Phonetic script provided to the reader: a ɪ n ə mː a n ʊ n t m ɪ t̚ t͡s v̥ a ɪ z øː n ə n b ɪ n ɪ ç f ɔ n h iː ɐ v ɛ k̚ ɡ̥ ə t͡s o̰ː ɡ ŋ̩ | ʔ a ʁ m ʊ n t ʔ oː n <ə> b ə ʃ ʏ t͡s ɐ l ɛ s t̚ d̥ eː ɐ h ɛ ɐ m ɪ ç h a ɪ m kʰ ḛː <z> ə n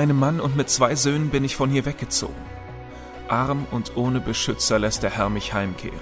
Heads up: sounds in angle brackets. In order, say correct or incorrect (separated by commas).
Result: correct, incorrect